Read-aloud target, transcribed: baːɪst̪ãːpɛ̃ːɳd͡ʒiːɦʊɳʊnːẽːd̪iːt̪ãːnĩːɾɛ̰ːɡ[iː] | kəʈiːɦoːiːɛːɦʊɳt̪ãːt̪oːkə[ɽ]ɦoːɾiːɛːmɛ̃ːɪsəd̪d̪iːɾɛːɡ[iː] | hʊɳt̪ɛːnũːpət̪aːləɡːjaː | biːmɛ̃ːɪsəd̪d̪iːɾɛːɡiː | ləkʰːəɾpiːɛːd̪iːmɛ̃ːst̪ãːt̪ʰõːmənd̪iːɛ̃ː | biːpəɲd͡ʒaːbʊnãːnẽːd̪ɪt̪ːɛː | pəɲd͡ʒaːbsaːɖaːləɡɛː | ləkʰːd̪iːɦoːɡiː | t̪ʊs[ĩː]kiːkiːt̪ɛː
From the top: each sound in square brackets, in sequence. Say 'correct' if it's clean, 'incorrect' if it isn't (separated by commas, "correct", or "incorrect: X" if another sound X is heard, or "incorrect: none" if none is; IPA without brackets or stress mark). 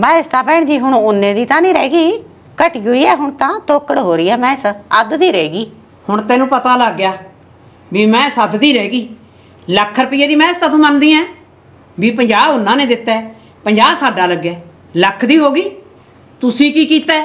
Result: correct, correct, correct, incorrect: iː